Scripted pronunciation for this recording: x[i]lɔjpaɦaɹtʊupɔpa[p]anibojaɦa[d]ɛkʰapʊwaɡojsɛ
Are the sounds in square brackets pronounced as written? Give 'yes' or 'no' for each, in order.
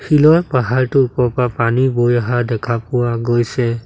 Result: yes, yes, yes

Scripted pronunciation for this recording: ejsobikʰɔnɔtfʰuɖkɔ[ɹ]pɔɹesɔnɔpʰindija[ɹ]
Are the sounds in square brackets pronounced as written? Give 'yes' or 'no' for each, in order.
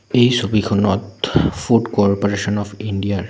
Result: yes, yes

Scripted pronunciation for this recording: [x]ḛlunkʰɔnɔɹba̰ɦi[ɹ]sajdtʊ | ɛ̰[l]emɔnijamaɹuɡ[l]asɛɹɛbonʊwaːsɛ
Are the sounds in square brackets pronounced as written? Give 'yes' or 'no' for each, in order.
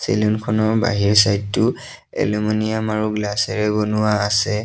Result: no, yes, yes, yes

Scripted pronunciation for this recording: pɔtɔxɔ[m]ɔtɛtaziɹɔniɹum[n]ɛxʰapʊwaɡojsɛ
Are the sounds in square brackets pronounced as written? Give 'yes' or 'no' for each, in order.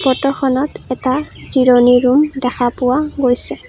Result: no, no

